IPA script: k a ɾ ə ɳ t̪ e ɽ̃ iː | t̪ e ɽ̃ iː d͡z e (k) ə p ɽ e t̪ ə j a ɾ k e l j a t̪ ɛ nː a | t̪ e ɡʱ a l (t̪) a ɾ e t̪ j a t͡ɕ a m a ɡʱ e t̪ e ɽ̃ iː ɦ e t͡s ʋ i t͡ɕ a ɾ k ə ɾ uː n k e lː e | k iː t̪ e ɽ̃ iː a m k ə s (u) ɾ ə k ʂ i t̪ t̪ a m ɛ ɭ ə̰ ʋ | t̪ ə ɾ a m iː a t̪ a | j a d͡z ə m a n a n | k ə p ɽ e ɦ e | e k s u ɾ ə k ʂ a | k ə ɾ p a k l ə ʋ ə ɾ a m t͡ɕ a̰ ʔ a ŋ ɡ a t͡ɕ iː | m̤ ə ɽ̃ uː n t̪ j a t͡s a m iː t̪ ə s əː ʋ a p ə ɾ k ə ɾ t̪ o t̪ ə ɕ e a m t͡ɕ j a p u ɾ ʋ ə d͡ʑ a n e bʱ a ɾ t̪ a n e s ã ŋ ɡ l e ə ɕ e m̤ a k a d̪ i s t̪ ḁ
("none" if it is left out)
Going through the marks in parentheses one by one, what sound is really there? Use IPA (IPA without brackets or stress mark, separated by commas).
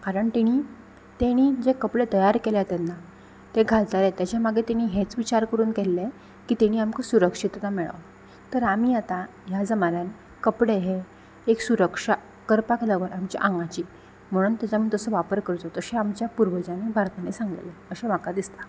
k, t̪, u